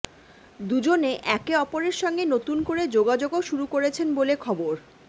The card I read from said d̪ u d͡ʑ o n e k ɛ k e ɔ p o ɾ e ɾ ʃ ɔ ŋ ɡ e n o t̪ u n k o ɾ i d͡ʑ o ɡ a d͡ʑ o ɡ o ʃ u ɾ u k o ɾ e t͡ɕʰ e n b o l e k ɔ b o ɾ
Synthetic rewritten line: d̪ u d͡ʑ o n e ʔ ɛ k e ɔ p o ɾ e ɾ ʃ ɔ ŋ ɡ e n o t̪ u n k o ɾ e d͡ʑ o ɡ a d͡ʑ o ɡ o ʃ u ɾ u k o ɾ e t͡ɕʰ e n b o l e kʰ ɔ b o ɾ